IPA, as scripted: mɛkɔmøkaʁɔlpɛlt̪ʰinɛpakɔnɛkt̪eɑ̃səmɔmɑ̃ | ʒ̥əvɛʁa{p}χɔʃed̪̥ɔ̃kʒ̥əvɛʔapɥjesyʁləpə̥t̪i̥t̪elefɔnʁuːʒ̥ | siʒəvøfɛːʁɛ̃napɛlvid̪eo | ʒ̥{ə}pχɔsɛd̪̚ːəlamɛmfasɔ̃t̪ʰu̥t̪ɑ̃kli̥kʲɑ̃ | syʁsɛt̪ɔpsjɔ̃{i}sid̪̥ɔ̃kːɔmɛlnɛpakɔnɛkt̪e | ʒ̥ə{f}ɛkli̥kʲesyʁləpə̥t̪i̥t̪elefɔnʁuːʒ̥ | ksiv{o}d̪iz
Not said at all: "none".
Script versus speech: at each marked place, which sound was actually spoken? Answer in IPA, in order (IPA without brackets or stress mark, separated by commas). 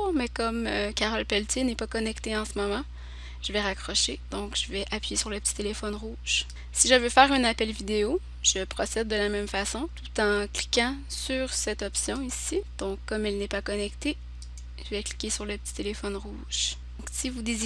k, ə, i, v, u